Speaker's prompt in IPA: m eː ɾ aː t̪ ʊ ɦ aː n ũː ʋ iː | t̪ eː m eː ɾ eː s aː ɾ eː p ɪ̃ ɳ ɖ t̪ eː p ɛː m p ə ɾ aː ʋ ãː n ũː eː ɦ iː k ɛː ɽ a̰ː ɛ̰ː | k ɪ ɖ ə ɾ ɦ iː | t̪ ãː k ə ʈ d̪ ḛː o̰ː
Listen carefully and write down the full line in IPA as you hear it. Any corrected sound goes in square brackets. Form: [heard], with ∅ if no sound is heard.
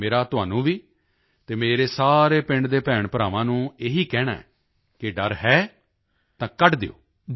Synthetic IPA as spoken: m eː ɾ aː t̪ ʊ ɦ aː n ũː ʋ iː | t̪ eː m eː ɾ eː s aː ɾ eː p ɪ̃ ɳ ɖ [d̪] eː p ɛː [ɳ] p ə ɾ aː ʋ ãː n ũː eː ɦ iː k ɛː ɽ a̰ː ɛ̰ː | k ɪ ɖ ə ɾ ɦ [ɛː] | t̪ ãː k ə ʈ d̪ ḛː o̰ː

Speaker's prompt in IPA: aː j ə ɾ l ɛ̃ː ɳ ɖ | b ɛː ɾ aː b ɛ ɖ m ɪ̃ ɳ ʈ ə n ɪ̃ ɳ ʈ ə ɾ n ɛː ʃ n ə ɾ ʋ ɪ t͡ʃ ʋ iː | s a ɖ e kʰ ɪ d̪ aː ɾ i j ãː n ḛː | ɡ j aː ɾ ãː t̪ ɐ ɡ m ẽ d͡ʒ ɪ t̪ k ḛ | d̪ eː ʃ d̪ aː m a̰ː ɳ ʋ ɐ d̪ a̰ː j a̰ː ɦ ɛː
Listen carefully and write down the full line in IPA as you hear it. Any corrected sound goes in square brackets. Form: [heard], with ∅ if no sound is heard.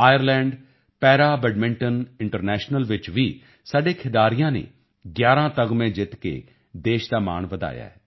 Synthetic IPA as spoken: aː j ə ɾ l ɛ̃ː ɳ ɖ | [p] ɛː ɾ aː b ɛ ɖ m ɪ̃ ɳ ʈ ə n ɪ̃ ɳ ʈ ə ɾ n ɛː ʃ n ə [l] ʋ ɪ t͡ʃ ʋ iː | s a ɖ e kʰ ɪ d̪ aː ɾ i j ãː n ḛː | ɡ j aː ɾ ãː t̪ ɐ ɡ m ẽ d͡ʒ ɪ t̪ k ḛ | d̪ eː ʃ d̪ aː m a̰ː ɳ ʋ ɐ d̪ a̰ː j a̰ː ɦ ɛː

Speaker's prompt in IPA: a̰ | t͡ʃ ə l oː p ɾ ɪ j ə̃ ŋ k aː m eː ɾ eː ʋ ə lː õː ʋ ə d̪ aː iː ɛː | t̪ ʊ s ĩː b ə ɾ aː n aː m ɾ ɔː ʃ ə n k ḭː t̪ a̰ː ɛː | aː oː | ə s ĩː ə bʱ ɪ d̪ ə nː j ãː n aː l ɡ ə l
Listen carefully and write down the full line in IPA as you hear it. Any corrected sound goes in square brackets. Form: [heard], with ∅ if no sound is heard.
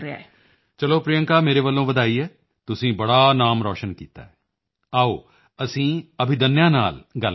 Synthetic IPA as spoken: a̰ | t͡ʃ ə l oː p ɾ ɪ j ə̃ ŋ k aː m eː ɾ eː ʋ ə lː õː ʋ ə d̪ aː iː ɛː | t̪ ʊ s ĩː b ə [ɽ] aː n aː m ɾ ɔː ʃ ə n k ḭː t̪ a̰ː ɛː | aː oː | ə s ĩː ə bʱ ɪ d̪ ə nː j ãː n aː l ɡ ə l

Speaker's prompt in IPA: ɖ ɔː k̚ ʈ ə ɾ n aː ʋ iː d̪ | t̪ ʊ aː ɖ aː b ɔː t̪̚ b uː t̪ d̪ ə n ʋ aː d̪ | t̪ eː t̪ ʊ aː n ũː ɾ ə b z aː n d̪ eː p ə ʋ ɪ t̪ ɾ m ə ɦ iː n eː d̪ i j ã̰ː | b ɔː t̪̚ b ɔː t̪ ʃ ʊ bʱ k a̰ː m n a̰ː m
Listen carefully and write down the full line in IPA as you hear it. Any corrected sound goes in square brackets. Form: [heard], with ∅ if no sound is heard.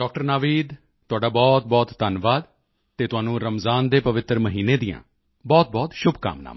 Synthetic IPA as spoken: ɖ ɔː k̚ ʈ ə ɾ n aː ʋ iː d̪ | t̪ ʊ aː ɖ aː b ɔː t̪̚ b [ɔː] t̪ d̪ ə n ʋ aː d̪ | t̪ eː t̪ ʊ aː n ũː ɾ ə [m] z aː n d̪ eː p ə ʋ ɪ t̪ ɾ m ə ɦ iː n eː d̪ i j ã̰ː | b ɔː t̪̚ b ɔː t̪ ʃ ʊ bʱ k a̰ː m n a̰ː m

